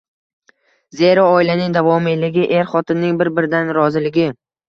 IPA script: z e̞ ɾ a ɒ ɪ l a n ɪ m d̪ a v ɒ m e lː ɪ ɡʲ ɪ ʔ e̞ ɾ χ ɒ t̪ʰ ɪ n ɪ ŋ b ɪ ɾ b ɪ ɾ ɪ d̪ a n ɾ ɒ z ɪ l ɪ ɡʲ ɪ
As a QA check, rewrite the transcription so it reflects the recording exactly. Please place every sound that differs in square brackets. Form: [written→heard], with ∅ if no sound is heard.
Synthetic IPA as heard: z e̞ ɾ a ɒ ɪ l a n ɪ [m→ŋ] d̪ a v ɒ m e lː ɪ ɡʲ ɪ ʔ e̞ ɾ χ ɒ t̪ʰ ɪ [n→nː] ɪ ŋ b ɪ ɾ b ɪ ɾ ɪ d̪ a n ɾ ɒ z ɪ l ɪ ɡʲ ɪ